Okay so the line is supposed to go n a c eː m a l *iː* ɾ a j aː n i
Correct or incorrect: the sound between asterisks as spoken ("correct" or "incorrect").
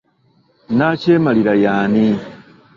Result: incorrect